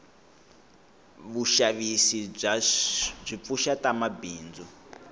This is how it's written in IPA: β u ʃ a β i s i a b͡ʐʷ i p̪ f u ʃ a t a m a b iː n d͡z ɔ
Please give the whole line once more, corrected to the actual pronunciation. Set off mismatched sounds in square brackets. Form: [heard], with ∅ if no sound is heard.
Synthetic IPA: β u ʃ a β i s i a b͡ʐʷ i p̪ f u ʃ a t a m a b iː n d͡z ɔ